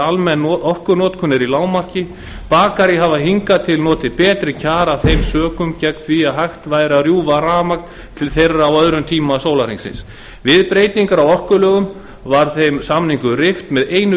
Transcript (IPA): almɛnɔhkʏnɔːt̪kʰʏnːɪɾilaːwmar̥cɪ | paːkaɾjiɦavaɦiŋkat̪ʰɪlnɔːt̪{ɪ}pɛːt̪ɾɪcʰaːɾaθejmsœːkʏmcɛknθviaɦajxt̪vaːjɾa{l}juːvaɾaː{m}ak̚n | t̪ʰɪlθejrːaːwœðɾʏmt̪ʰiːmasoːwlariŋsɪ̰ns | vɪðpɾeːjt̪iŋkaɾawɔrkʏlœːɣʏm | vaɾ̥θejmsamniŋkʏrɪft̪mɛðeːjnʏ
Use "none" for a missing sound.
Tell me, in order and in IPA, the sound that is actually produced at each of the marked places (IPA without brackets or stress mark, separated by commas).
ɪ, r, m